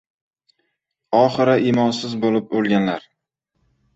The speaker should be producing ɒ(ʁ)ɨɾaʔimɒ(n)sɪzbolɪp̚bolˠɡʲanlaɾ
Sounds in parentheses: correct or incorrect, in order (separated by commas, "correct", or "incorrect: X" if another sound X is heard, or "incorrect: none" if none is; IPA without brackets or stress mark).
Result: incorrect: χ, correct